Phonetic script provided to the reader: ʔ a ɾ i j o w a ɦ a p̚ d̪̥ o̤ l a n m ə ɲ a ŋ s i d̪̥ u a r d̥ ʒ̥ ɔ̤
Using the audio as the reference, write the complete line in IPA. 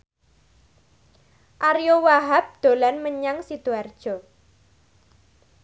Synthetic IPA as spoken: ʔ a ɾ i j o w a ɦ a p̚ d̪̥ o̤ l a n m ə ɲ a ŋ s i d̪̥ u a r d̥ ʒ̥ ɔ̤